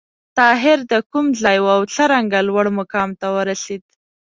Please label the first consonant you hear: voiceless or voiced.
voiceless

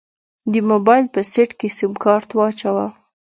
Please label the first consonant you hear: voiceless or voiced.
voiced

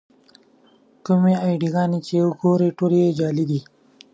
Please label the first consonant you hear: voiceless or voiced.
voiceless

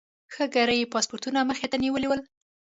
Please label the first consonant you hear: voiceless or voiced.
voiceless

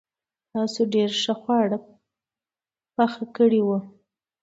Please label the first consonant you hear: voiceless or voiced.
voiceless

